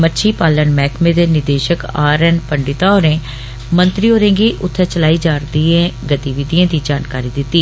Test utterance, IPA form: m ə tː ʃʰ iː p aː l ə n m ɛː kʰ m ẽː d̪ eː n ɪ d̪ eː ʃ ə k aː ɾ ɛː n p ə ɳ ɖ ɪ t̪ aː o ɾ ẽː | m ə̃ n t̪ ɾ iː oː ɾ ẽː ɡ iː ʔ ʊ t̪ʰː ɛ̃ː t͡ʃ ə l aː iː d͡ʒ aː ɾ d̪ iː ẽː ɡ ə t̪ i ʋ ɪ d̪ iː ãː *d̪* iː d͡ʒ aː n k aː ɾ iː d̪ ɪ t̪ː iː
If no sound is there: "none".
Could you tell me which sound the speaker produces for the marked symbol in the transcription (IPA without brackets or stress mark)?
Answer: d̪